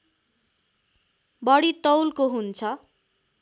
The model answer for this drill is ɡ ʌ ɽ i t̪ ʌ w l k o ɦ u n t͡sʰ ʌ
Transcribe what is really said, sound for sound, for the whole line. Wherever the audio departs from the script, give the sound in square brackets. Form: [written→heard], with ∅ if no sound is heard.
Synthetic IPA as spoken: [ɡ→b] ʌ ɽ i t̪ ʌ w l k o ɦ u n t͡sʰ ʌ